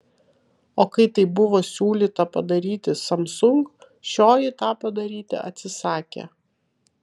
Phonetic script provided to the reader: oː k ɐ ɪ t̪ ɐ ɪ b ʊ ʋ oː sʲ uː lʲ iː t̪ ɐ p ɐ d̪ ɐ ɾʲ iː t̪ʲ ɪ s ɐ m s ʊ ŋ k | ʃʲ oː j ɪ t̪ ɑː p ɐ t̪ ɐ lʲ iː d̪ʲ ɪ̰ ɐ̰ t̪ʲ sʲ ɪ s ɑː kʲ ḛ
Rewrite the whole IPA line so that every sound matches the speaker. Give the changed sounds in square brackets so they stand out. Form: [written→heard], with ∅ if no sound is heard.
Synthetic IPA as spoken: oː k ɐ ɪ t̪ ɐ ɪ b ʊ ʋ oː sʲ uː lʲ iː t̪ ɐ p ɐ d̪ ɐ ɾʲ iː t̪ʲ ɪ s ɐ m s ʊ ŋ k | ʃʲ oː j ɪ t̪ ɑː p ɐ [t̪→d̪] ɐ [lʲ→ɾʲ] iː [d̪ʲ→t̪ʲ] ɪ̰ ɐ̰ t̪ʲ sʲ ɪ s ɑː kʲ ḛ